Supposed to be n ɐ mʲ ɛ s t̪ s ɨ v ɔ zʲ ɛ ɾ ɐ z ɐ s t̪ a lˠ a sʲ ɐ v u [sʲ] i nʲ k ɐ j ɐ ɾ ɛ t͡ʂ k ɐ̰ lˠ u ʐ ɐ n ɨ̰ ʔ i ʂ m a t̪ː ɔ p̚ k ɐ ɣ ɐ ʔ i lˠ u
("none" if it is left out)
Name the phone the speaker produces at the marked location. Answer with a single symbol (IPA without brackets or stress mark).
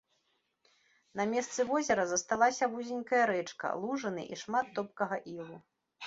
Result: zʲ